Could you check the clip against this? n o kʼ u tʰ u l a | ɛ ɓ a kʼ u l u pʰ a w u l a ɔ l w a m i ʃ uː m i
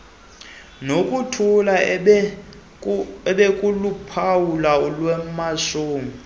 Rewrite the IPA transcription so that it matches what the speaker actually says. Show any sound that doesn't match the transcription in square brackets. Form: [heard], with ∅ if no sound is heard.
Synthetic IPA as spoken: n o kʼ u tʰ u l a | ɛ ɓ [e] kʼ u l u pʰ a w u l a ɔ l w [ɛ] m [a] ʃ uː m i